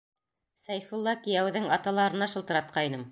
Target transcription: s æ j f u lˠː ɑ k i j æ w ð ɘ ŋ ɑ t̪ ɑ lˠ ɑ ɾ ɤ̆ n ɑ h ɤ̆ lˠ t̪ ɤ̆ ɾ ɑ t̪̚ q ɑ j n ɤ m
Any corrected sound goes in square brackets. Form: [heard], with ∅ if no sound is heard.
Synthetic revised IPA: s æ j f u lˠː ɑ k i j æ w ð ɘ ŋ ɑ t̪ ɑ lˠ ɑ ɾ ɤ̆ n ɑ [ʃ] ɤ̆ lˠ t̪ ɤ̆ ɾ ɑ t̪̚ q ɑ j n ɤ m